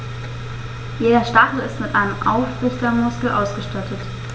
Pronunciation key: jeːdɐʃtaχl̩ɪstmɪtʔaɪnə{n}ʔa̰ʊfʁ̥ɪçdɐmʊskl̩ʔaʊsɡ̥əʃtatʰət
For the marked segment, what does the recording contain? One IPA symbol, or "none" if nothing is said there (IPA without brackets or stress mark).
m